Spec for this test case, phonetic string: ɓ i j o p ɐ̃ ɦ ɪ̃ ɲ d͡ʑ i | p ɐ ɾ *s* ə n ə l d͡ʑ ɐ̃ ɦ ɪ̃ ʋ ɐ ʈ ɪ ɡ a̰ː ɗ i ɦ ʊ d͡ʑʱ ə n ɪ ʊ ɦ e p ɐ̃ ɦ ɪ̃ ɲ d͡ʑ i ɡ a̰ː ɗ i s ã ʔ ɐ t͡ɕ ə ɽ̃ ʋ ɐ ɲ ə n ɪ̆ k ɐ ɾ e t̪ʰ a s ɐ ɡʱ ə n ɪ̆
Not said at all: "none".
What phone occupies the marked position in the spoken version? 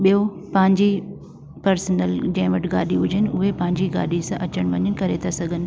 s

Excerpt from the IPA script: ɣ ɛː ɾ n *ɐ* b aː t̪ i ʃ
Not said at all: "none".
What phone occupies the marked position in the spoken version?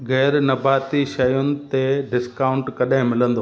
ɐ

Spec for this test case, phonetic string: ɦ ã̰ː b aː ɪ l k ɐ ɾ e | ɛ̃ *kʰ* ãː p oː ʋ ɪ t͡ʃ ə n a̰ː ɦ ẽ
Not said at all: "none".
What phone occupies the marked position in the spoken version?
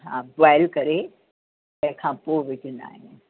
kʰ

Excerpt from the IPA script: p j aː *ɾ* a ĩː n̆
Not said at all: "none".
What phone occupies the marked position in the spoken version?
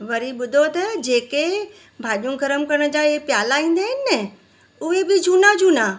l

